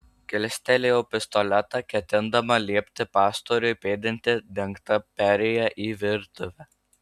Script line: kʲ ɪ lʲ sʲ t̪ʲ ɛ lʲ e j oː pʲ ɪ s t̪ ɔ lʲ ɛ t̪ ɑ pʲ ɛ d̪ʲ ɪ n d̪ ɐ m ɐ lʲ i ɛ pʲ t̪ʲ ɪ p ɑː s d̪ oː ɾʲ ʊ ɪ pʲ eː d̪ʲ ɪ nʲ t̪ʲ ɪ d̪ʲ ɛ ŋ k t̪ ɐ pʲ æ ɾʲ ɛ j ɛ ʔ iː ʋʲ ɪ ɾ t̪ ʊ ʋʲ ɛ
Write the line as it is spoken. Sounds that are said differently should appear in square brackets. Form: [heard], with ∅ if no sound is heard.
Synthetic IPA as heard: kʲ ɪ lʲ sʲ t̪ʲ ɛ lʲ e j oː pʲ ɪ s t̪ ɔ lʲ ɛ t̪ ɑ [kʲ] ɛ [t̪ʲ] ɪ n d̪ ɐ m ɐ lʲ i ɛ pʲ t̪ʲ ɪ p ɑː s [t̪] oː ɾʲ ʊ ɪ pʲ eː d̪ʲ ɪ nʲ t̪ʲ ɪ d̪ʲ ɛ ŋ k t̪ ɐ pʲ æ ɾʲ ɛ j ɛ ʔ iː ʋʲ ɪ ɾ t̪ ʊ ʋʲ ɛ